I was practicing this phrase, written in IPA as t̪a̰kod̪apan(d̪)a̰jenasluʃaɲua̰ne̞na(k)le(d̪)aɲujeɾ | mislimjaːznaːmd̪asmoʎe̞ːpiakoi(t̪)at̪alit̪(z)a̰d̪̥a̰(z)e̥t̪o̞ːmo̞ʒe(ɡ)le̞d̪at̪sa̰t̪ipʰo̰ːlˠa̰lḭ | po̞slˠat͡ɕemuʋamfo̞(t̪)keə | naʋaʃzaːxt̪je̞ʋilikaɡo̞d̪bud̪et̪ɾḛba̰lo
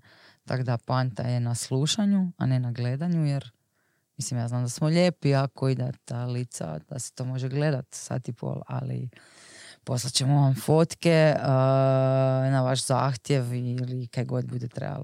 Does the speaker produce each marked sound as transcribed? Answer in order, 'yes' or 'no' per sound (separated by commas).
no, no, yes, no, no, no, yes, yes